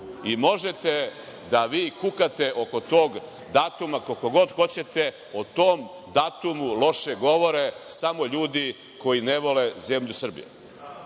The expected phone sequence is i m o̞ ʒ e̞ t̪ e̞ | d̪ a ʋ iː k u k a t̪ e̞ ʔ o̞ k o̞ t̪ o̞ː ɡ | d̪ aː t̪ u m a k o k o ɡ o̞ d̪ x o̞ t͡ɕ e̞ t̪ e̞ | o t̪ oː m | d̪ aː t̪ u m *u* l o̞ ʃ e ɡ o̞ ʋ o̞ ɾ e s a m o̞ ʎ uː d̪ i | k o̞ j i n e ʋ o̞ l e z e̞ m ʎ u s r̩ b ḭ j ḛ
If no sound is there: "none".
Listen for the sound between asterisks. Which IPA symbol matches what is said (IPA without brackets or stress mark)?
u